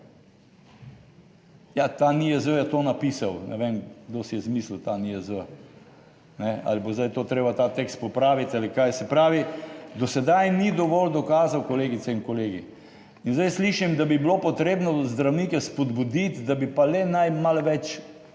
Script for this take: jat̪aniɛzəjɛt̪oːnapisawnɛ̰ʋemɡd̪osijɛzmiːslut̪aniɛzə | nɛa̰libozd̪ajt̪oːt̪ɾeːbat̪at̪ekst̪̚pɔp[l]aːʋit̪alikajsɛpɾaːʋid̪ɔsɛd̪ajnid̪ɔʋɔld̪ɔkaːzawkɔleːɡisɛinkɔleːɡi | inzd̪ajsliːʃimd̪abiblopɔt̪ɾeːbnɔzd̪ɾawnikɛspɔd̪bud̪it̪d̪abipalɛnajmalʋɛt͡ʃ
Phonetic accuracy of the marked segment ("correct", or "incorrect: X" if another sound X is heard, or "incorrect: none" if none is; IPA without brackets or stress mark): incorrect: ɾ